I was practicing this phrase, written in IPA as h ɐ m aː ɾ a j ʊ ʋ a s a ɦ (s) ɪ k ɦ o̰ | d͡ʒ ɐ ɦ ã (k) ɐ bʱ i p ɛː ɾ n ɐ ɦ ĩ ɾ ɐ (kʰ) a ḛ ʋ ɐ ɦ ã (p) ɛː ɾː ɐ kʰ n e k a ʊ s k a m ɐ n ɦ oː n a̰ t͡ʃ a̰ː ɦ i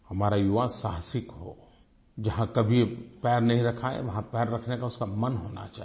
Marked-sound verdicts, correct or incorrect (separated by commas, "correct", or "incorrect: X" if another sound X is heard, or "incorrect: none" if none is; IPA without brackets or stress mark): correct, correct, correct, correct